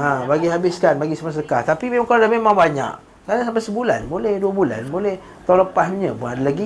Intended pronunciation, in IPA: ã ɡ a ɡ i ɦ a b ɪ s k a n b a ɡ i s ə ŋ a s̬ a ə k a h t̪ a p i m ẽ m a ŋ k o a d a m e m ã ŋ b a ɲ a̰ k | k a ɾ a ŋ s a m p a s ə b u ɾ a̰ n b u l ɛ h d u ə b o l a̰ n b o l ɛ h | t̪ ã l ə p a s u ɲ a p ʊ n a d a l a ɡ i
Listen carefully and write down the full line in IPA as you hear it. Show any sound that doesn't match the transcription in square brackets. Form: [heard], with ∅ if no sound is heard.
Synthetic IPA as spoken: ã [b] a ɡ i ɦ a b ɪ s k a n b a ɡ i s ə [m] a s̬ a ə k a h t̪ a p i m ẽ m a ŋ k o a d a m e m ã ŋ b a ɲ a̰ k | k a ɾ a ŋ s a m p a s ə b u [l] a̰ n b [o] l ɛ h d u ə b [u] l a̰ n b o l ɛ h | t̪ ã l ə p a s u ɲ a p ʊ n a d a l a ɡ i